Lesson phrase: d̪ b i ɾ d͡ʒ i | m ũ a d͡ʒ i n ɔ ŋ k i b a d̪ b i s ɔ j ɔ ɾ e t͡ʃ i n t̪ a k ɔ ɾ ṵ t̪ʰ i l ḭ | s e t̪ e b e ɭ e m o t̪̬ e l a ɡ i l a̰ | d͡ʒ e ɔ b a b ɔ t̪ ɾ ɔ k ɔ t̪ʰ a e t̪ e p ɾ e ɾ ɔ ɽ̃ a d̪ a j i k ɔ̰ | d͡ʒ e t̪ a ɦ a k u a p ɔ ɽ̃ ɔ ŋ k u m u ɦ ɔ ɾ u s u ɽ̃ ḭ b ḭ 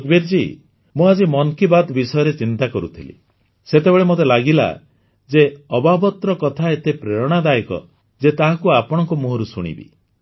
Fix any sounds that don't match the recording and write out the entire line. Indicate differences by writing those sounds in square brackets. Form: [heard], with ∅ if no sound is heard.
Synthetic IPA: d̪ b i ɾ d͡ʒ i | m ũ a d͡ʒ i [m] ɔ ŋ k i b a d̪ b i s ɔ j ɔ ɾ e t͡ʃ i n t̪ a k ɔ ɾ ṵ t̪ʰ i l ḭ | s e t̪ e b e ɭ e m o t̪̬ e l a ɡ i l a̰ | d͡ʒ e ɔ b a b ɔ t̪ ɾ ɔ k ɔ t̪ʰ a e t̪ e p ɾ e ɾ ɔ ɽ̃ a d̪ a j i k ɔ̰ | d͡ʒ e t̪ a ɦ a k u a p ɔ ɽ̃ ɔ ŋ k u m u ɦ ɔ ɾ u s u ɽ̃ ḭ b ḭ

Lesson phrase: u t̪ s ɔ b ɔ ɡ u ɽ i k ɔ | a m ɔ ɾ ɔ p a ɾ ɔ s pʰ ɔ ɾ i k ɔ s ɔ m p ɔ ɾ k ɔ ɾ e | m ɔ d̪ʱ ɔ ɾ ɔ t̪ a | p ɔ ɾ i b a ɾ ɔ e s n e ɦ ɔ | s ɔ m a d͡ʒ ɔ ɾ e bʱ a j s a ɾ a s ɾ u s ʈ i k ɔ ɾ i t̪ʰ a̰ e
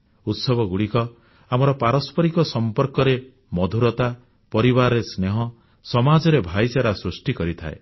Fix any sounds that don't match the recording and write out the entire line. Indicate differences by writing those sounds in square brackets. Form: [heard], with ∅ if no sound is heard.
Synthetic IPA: u t̪ s ɔ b ɔ ɡ u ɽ i k ɔ | a m ɔ ɾ ɔ p a ɾ ɔ s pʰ ɔ ɾ i k ɔ s ɔ m p ɔ ɾ k ɔ ɾ e | m ɔ d̪ʱ [u] ɾ ɔ t̪ a | p ɔ ɾ i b a ɾ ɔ e s n e ɦ ɔ | s ɔ m a d͡ʒ ɔ ɾ e bʱ a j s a ɾ a s ɾ u s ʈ i k ɔ ɾ i t̪ʰ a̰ e

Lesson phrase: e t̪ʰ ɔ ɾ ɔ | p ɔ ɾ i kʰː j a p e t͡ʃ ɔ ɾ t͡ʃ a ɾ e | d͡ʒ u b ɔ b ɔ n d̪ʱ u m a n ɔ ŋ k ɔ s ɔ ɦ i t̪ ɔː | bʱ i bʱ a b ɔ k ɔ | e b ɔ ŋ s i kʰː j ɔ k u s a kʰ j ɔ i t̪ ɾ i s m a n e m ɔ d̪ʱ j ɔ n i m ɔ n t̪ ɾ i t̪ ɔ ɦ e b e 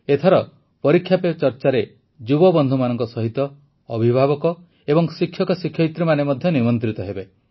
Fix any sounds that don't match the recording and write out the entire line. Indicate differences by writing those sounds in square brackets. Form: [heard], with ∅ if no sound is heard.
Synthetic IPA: e t̪ʰ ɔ ɾ ɔ | p ɔ ɾ i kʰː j a p e t͡ʃ ɔ ɾ t͡ʃ a ɾ e | d͡ʒ u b ɔ b ɔ n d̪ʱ u m a n ɔ ŋ k ɔ s ɔ ɦ i t̪ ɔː | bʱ i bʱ a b ɔ k ɔ | e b ɔ ŋ s i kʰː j ɔ k [ɔ] s [i] kʰ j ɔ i t̪ ɾ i [∅] m a n e m ɔ d̪ʱ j ɔ n i m ɔ n t̪ ɾ i t̪ ɔ ɦ e b e

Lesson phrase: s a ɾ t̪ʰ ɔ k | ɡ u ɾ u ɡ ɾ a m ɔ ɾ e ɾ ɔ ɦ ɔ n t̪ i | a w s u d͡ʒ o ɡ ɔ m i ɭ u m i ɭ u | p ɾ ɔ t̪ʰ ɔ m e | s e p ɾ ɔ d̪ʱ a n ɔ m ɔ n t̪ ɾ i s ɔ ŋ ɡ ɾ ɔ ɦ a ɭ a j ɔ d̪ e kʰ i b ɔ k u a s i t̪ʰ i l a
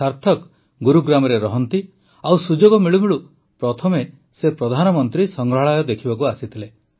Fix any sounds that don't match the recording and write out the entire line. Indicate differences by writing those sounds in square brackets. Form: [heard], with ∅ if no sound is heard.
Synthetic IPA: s a ɾ t̪ʰ ɔ k | ɡ u ɾ u ɡ ɾ a m ɔ ɾ e ɾ ɔ ɦ ɔ n t̪ i | a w s u d͡ʒ o ɡ ɔ m i ɭ u m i ɭ u | p ɾ ɔ t̪ʰ ɔ m e | s e p ɾ ɔ d̪ʱ a n ɔ m ɔ n t̪ ɾ i s ɔ ŋ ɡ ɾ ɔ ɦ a ɭ a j ɔ d̪ e kʰ i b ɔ k u a s i t̪ʰ i l [e]

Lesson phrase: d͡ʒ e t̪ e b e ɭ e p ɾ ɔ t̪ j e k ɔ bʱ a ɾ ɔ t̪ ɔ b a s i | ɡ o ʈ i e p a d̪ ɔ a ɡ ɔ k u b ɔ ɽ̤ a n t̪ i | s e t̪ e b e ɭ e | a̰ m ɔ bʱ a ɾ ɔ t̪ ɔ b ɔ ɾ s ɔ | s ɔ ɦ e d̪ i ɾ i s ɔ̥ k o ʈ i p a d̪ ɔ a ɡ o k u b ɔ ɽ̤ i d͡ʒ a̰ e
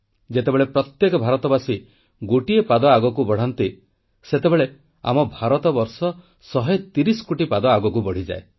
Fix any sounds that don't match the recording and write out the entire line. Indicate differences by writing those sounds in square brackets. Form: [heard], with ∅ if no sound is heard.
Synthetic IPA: d͡ʒ e t̪ e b e ɭ e p ɾ ɔ t̪ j e k ɔ bʱ a ɾ ɔ t̪ ɔ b a s i | ɡ o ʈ i e p a d̪ ɔ a ɡ ɔ k u b ɔ ɽ̤ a n t̪ i | s e t̪ e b e ɭ e | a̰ m ɔ bʱ a ɾ ɔ t̪ ɔ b ɔ ɾ s ɔ | s ɔ ɦ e [t̪] i ɾ i s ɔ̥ k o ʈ i p a d̪ ɔ a ɡ [ɔ] k u b ɔ ɽ̤ i d͡ʒ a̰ e

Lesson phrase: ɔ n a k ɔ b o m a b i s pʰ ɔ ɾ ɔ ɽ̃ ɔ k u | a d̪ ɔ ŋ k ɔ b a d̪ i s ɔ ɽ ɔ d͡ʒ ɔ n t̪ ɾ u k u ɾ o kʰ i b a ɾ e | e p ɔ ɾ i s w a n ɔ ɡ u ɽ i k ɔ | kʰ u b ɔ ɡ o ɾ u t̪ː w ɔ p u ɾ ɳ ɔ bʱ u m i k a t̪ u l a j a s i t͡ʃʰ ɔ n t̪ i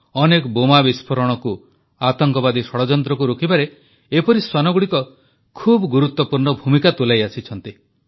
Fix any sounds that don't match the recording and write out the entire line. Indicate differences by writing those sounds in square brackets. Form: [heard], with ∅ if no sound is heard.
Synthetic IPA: ɔ n [e] k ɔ b o m a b i s pʰ ɔ ɾ ɔ ɽ̃ ɔ k u | a [t̪] ɔ ŋ k ɔ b a d̪ i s ɔ ɽ ɔ d͡ʒ ɔ n t̪ ɾ [ɔ] k u ɾ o kʰ i b a ɾ e | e p ɔ ɾ i s w a n ɔ ɡ u ɽ i k ɔ | kʰ u b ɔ ɡ [u] ɾ u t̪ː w ɔ p u ɾ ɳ ɔ bʱ u m i k a t̪ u l a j a s i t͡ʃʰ ɔ n t̪ i

